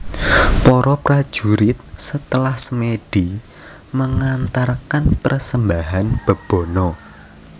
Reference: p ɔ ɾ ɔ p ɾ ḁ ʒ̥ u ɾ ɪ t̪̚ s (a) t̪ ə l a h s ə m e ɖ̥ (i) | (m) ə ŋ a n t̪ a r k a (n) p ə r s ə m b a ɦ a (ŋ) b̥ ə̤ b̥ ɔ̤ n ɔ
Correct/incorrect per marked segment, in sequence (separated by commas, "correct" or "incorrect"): incorrect, correct, correct, correct, incorrect